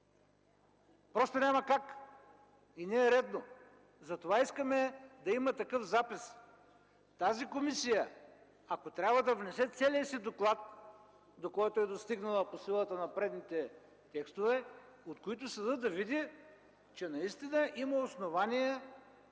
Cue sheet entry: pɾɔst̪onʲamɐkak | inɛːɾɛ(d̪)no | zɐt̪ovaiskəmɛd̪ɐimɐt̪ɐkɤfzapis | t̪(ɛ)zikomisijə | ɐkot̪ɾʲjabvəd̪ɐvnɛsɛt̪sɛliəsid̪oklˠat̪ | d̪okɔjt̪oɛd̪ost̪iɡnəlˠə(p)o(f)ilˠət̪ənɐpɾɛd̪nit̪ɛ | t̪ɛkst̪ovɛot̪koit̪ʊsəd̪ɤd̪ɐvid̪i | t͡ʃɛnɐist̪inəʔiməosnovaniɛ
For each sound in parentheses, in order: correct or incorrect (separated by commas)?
correct, incorrect, correct, incorrect